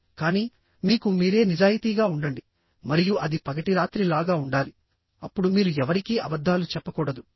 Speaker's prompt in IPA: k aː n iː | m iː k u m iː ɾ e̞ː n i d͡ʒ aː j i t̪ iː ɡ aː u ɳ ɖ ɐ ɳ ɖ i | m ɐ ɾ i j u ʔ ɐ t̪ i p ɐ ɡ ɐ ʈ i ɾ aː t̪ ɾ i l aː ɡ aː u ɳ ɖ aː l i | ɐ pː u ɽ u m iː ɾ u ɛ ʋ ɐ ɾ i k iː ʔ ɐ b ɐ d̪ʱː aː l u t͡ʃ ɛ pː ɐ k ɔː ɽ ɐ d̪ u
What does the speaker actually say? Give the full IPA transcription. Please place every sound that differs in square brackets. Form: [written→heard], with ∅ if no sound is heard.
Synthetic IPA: k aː n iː | m iː k u m iː ɾ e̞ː n i d͡ʒ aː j i t̪ iː ɡ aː u ɳ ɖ ɐ ɳ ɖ i | m ɐ ɾ i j u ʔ ɐ [t̪→d̪] i p ɐ ɡ ɐ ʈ i ɾ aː t̪ ɾ i l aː ɡ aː u ɳ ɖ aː l i | ɐ pː u ɽ u m iː ɾ u ɛ ʋ ɐ ɾ i k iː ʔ ɐ b ɐ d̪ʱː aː l u t͡ʃ ɛ pː ɐ k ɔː ɽ ɐ d̪ u